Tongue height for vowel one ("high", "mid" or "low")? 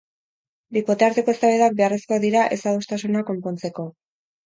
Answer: high